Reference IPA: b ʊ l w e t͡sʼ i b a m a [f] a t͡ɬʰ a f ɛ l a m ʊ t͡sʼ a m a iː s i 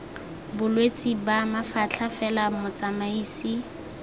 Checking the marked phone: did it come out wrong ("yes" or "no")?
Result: no